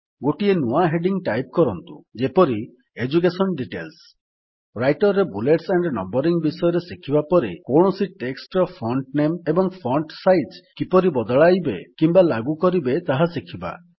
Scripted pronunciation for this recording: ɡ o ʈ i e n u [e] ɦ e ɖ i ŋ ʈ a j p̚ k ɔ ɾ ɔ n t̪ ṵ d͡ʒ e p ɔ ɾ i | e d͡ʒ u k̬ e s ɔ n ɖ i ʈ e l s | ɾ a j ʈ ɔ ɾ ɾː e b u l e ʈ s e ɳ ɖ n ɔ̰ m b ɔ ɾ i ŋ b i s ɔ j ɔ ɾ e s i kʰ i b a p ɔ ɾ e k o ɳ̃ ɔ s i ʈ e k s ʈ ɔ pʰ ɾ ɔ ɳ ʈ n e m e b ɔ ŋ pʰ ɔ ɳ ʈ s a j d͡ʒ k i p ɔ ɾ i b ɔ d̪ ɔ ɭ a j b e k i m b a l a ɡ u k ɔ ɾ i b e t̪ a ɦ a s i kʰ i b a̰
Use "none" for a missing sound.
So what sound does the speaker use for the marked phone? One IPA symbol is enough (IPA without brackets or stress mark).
a